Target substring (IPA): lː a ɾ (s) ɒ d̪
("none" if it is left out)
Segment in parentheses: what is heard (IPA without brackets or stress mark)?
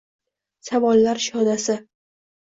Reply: ʃ